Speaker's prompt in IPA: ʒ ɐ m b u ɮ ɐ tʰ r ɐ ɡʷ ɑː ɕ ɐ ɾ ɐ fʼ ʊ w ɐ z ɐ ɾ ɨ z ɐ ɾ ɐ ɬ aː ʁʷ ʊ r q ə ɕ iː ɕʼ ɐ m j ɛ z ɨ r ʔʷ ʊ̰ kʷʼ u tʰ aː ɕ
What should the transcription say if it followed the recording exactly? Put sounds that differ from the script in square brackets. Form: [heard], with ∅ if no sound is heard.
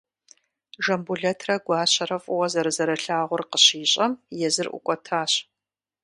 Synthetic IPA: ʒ ɐ m b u ɮ ɐ tʰ r ɐ ɡʷ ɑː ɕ ɐ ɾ ɐ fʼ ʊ w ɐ z ɐ ɾ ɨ z ɐ ɾ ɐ ɬ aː ʁʷ ʊ r q ə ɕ iː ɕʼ ɐ m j ɛ z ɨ r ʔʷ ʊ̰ kʷʼ [ɔ] tʰ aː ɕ